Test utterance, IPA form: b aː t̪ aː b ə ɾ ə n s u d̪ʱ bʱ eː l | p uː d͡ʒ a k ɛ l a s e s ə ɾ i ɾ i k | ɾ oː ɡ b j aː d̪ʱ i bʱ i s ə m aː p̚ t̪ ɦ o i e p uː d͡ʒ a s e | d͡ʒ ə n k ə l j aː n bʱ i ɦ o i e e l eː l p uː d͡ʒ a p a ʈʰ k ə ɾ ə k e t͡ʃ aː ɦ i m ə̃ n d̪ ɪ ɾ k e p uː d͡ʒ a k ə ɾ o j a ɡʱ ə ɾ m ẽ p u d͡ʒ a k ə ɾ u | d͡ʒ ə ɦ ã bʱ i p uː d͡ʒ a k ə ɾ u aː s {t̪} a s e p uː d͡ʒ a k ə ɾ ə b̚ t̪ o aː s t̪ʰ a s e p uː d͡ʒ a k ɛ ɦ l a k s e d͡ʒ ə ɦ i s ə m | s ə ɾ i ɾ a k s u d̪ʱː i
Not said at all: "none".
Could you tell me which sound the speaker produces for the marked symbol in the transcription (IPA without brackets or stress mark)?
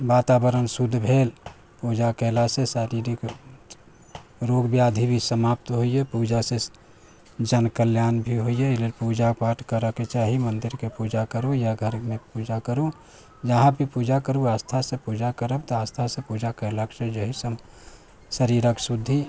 t̪ʰ